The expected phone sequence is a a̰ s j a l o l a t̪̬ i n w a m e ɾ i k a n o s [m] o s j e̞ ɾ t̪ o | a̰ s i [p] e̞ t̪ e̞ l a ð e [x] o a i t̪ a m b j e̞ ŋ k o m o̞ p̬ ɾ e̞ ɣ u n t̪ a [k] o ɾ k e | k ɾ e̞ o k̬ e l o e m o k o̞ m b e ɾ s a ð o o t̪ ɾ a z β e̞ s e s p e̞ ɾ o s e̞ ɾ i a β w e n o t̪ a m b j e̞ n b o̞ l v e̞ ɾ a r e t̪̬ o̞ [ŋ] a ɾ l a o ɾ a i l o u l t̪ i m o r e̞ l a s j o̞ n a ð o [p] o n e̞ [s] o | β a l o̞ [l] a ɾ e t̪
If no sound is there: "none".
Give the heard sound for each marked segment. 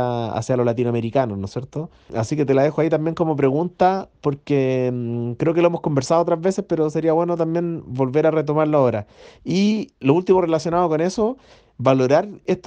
n, k, x, p, m, k, s, ɾ

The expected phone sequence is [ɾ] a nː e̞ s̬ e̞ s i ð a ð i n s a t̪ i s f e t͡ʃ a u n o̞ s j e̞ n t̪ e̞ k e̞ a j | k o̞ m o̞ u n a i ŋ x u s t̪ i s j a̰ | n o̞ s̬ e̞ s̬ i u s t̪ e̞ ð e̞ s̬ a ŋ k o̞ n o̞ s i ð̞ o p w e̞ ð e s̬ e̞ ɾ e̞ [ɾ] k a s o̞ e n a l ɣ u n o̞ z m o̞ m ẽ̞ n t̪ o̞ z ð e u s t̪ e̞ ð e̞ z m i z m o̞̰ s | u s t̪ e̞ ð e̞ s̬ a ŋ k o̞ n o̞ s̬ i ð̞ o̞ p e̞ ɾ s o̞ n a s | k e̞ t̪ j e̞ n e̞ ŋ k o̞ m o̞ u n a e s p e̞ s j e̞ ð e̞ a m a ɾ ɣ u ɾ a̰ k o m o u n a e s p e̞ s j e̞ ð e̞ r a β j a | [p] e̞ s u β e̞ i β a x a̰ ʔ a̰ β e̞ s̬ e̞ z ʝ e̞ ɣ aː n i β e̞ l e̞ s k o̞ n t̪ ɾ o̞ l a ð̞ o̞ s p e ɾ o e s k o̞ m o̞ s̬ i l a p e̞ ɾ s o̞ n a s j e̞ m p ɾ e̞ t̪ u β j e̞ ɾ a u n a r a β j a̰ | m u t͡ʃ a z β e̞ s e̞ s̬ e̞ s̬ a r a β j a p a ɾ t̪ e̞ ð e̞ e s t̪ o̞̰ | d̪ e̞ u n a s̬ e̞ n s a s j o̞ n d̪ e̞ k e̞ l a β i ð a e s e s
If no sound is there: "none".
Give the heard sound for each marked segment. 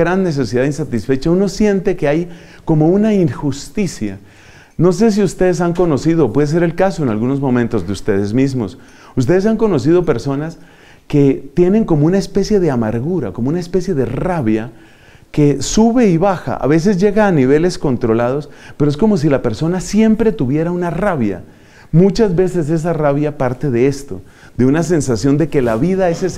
ɾ, l, k

